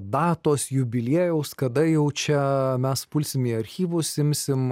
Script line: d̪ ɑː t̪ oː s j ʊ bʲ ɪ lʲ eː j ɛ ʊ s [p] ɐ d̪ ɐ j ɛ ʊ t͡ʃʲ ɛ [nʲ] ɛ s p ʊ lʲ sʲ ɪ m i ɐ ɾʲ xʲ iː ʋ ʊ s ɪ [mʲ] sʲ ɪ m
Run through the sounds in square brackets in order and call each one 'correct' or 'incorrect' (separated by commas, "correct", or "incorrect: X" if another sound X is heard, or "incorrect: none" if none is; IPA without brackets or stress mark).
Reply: incorrect: k, incorrect: mʲ, correct